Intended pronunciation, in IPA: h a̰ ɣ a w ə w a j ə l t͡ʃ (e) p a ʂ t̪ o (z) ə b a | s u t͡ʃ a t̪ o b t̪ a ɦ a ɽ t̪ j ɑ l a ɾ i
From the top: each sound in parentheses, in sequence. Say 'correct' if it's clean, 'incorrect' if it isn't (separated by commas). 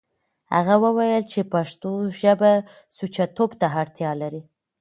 correct, incorrect